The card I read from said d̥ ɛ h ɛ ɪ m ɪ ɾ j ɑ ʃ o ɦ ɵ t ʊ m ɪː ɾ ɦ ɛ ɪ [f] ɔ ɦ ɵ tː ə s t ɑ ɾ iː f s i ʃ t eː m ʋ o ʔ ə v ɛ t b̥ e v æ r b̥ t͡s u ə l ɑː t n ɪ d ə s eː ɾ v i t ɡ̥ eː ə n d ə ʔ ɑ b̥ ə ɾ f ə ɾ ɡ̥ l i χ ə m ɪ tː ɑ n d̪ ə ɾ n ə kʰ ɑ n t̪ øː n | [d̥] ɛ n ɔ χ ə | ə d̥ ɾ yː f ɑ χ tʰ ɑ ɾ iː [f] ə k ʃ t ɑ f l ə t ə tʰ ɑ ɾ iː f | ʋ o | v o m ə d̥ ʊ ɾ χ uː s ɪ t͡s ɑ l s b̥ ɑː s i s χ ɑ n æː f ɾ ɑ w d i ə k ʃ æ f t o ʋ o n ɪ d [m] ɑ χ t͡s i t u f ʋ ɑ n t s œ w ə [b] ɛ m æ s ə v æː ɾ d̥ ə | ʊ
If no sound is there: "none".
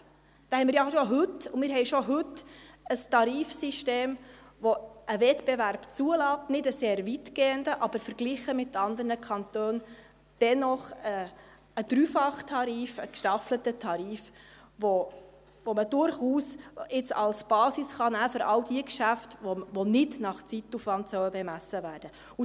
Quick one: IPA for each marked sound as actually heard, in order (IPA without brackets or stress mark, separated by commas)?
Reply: ʃ, d̥, f, n, b